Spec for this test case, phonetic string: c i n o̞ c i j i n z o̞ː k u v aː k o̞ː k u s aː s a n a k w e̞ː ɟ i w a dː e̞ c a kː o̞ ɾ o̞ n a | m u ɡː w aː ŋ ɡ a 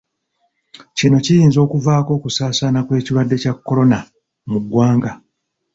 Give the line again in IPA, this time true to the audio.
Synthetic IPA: c i n o̞ c i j iː n z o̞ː k u v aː k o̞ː k u s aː s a n a k w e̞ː c i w a dː e̞ c a kː o̞ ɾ o̞ n a | m u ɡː w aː ŋ ɡ a